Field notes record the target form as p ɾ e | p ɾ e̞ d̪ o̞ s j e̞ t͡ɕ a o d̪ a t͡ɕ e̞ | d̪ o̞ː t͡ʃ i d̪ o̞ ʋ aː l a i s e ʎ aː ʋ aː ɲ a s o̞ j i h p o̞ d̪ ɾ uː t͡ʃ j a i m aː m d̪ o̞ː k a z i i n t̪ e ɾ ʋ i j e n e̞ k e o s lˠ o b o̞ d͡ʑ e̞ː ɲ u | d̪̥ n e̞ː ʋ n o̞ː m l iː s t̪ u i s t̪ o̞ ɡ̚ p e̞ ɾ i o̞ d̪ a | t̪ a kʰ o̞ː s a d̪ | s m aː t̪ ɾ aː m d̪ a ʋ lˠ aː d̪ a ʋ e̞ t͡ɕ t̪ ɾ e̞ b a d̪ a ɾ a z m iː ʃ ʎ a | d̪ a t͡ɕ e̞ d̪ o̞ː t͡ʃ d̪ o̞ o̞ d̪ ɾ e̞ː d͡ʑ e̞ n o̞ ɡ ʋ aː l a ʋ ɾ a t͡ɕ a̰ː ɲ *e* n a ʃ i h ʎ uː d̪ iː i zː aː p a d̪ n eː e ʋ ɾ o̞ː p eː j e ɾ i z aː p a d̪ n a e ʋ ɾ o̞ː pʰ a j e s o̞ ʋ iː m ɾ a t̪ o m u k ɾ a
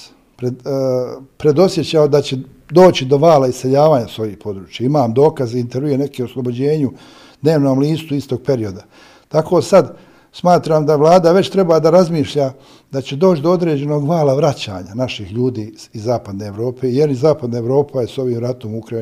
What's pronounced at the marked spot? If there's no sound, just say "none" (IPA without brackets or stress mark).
a